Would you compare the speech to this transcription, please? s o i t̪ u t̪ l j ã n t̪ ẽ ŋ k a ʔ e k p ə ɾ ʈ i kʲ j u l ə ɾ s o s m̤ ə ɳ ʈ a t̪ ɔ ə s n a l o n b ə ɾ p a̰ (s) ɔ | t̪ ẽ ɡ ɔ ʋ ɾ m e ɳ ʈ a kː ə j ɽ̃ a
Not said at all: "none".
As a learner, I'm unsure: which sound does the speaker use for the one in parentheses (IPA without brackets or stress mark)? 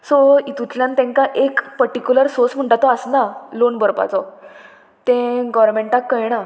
t͡s